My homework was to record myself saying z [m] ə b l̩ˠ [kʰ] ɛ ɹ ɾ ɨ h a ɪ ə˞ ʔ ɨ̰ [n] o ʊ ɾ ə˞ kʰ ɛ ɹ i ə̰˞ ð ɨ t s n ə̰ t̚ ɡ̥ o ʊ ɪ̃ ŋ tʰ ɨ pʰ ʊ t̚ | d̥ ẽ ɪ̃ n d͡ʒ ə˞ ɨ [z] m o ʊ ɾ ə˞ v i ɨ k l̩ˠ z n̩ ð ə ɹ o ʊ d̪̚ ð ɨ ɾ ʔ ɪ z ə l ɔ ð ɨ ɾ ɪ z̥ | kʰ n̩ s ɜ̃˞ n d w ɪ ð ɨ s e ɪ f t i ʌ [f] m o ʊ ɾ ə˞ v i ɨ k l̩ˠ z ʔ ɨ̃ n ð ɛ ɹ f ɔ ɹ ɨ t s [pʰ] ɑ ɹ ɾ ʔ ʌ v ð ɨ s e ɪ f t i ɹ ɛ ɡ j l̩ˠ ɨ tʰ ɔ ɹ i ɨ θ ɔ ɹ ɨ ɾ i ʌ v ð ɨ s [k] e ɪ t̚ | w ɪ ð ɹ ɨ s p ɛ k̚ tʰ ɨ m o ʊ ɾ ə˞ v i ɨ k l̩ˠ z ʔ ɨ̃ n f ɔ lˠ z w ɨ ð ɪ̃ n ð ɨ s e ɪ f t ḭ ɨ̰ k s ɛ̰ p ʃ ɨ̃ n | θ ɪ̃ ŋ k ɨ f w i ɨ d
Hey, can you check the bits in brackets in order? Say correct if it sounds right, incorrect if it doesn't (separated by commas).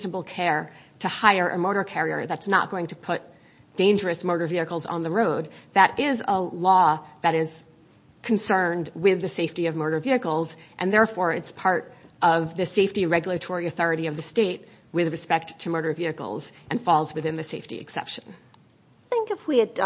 incorrect, correct, incorrect, incorrect, incorrect, correct, incorrect